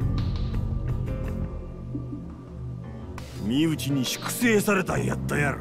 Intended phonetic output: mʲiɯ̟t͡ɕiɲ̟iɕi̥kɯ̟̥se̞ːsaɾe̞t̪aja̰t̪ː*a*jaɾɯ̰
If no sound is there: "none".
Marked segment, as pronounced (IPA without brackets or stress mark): a